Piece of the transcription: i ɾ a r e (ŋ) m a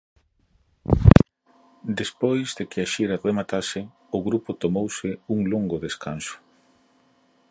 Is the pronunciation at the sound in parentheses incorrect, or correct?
incorrect